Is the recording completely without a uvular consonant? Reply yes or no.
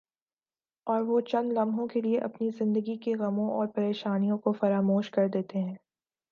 yes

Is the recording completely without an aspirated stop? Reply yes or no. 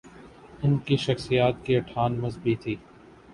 no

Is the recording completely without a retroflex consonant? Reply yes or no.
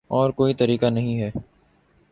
yes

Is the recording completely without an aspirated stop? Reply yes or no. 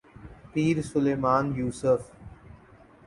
yes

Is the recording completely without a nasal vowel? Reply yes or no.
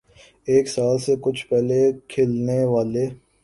yes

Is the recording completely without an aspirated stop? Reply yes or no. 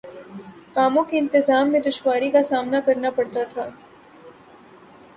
no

